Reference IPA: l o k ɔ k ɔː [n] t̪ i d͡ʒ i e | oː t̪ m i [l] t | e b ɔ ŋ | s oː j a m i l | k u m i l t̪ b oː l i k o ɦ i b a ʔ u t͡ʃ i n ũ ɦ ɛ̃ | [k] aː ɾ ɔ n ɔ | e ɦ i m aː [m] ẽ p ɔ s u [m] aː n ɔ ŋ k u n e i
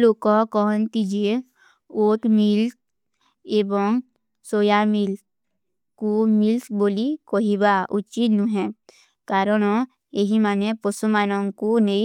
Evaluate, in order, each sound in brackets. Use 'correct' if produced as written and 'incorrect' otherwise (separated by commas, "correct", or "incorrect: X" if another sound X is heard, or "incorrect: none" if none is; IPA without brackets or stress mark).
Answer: correct, correct, correct, incorrect: n, correct